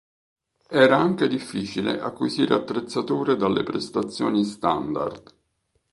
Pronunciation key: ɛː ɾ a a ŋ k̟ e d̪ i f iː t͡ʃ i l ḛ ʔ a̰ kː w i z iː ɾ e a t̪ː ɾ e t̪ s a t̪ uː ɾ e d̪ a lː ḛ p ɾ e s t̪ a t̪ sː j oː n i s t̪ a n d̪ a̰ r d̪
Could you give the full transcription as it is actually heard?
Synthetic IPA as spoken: ɛː ɾ a a ŋ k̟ e d̪ i fː iː t͡ʃ i l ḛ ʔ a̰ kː w i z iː ɾ e a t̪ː ɾ e t̪ sː a t̪ uː ɾ e d̪ a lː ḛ p ɾ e s t̪ a t̪ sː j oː n i s t̪ a n d̪ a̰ r d̪

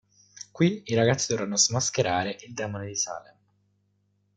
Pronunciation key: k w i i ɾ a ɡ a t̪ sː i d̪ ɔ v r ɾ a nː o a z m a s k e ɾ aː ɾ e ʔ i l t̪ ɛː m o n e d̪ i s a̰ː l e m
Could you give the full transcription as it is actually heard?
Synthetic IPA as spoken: k w i i ɾ a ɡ a t̪ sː i d̪ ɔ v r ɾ a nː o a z m a s k e ɾ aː ɾ e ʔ i l d̪ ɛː m o n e d̪ i s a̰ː l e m

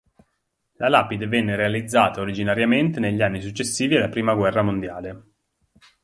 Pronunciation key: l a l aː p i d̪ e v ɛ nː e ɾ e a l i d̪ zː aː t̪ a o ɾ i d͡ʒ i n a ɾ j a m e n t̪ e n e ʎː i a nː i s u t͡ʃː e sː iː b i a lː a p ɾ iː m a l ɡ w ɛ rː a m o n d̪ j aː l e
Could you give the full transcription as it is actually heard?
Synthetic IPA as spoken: l a l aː p i d̪ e v ɛ nː e ɾ e a l i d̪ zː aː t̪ a o ɾ i d͡ʒ i n a ɾ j a m e n t̪ e n e ʎː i a nː i s u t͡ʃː e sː iː v i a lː a p ɾ iː m a ɡ w ɛ rː a m o n d̪ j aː l e

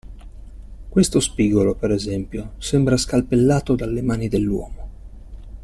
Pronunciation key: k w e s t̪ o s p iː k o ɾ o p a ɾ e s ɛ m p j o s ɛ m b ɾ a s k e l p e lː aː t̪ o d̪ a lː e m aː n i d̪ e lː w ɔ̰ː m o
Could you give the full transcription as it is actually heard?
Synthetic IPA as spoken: k w e s t̪ o s p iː ɡ o l o p e ɾ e z ɛ m p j o s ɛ m b ɾ a s k a l p e lː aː t̪ o d̪ a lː e m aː n i d̪ e lː w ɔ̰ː m o

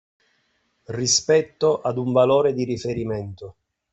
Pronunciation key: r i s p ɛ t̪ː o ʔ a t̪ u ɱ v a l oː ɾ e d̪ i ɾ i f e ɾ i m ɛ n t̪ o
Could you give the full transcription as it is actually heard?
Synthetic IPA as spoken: r i s p ɛ t̪ː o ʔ a d̪ u ɱ v a l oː ɾ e d̪ i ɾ i f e ɾ i m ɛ n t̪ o

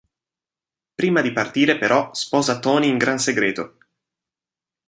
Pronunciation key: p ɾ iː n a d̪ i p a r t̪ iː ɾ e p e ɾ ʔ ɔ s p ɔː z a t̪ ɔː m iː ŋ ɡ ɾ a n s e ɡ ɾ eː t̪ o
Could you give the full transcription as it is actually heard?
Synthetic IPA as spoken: p ɾ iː m a d̪ i p a r t̪ iː ɾ e p e ɾ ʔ ɔ s p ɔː z a t̪ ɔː n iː ŋ ɡ ɾ a n s e ɡ ɾ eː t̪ o

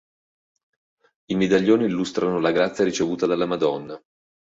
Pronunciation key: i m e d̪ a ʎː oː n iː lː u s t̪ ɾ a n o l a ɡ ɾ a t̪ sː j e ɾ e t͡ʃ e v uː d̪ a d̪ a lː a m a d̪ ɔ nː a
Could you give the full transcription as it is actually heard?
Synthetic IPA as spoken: i m e d̪ a ʎː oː n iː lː u s t̪ ɾ a n o l a ɡ ɾ a t̪ sː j a ɾ i t͡ʃ e v uː t̪ a d̪ a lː a m a d̪ ɔ nː a

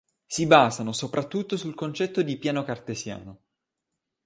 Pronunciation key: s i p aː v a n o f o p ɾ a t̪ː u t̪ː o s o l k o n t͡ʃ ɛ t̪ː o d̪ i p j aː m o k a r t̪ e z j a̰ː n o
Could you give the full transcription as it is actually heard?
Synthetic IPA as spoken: s i b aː z a n o s o p ɾ a t̪ː u t̪ː o s u l k o n t͡ʃ ɛ t̪ː o d̪ i p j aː n o k a r t̪ e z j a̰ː n o

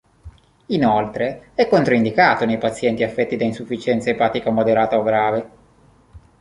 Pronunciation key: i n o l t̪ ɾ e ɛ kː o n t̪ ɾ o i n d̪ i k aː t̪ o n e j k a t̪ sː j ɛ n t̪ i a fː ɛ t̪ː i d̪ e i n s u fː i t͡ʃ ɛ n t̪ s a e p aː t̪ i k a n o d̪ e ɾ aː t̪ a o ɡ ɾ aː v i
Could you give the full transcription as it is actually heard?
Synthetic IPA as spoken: i n o l t̪ ɾ e ɛ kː o n t̪ ɾ o i n d̪ i k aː t̪ o n e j p a t̪ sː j ɛ n t̪ i a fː ɛ t̪ː i d̪ a i n s u fː i t͡ʃ ɛ n t̪ s a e p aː t̪ i k a m o d̪ e ɾ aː t̪ a o ɡ ɾ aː v e

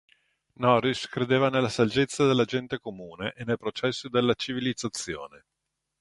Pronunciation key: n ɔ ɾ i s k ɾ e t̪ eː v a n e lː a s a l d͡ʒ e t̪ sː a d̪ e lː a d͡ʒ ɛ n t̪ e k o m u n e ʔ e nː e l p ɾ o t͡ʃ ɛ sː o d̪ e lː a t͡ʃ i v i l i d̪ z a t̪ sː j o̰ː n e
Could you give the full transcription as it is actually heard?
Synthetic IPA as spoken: n ɔ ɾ i s k ɾ e d̪ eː v a n e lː a s a l d͡ʒ e t̪ sː a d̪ e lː a d͡ʒ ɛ n t̪ e k o m uː n e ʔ e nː e l p ɾ o t͡ʃ ɛ sː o d̪ e lː a t͡ʃ i v i l i d̪ z a t̪ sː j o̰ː n e

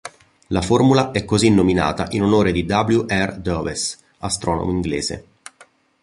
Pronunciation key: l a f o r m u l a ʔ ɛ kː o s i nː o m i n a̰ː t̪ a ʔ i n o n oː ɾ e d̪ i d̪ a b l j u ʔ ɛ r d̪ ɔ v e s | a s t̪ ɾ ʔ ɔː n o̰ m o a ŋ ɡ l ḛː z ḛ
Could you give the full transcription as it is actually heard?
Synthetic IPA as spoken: l a f o r m u l a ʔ ɛ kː o z i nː o m i n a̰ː t̪ a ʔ i n o n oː ɾ e d̪ i d̪ a b l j u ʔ ɛ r d̪ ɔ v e s | a s t̪ ɾ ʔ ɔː n o̰ m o i ŋ ɡ l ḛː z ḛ

